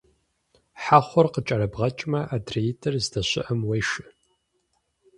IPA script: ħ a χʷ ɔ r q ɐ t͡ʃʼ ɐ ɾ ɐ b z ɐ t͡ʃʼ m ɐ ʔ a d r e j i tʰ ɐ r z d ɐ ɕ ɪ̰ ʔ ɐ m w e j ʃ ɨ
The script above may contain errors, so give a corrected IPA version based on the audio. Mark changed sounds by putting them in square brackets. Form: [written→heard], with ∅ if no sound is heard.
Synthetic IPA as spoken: ħ a χʷ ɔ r q [ɐ→ə] t͡ʃʼ ɐ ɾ ɐ b [z→ʁ] ɐ t͡ʃʼ m ɐ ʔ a d r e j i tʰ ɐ r z d ɐ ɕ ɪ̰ ʔ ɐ m w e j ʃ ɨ